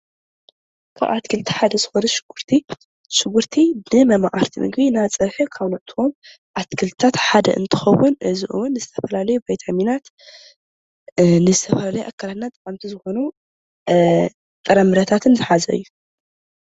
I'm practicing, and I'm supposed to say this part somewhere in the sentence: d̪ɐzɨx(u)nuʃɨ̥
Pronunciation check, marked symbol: incorrect: o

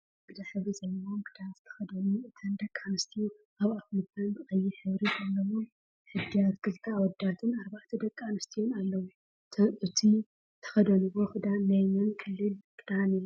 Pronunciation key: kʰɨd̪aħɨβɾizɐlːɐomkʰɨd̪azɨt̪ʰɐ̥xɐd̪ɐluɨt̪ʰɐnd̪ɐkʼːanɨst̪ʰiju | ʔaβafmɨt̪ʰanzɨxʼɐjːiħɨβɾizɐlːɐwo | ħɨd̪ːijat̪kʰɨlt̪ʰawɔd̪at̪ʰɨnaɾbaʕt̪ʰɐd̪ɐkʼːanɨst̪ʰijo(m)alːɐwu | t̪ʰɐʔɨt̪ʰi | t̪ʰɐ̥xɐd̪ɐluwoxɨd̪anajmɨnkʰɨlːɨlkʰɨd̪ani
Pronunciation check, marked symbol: incorrect: n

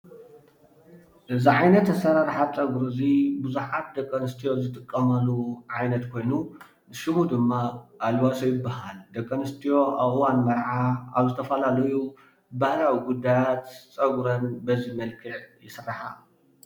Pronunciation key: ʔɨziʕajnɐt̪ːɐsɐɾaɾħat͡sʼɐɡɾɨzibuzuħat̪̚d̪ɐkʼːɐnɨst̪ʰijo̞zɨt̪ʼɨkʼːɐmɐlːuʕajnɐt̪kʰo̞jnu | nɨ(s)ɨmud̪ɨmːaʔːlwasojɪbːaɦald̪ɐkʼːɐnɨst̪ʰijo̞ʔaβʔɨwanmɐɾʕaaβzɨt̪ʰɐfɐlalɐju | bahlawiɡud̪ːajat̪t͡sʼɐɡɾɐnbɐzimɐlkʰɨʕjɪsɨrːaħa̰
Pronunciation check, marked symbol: incorrect: ʃ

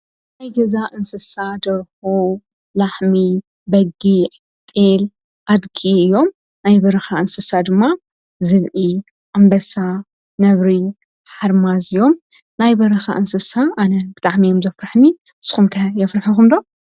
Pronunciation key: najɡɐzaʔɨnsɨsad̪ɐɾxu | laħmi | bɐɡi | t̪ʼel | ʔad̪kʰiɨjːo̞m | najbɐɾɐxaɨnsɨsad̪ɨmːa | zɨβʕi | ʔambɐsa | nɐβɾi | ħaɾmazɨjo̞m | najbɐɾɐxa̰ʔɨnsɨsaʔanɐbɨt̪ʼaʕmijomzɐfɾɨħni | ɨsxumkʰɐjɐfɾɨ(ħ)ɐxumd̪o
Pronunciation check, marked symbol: correct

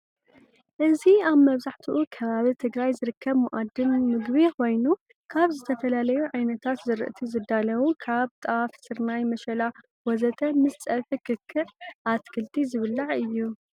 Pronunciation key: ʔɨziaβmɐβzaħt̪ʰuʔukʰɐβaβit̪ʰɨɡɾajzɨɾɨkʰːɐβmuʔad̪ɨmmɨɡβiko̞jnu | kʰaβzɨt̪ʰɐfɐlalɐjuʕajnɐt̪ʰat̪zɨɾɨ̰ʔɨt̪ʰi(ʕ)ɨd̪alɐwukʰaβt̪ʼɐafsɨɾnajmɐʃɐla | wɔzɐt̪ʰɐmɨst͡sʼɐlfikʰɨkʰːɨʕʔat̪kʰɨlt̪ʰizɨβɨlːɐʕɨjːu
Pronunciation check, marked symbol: incorrect: z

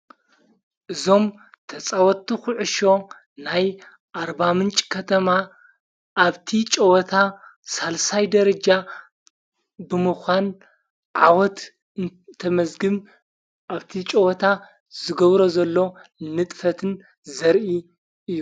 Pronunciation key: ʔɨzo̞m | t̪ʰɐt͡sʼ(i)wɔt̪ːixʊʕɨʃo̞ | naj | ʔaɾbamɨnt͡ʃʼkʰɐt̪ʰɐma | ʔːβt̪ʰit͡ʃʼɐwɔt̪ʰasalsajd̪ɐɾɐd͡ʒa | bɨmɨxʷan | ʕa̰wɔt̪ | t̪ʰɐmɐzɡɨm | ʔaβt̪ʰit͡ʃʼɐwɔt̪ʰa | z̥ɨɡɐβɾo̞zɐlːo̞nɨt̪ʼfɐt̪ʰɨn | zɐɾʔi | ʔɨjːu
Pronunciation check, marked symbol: incorrect: a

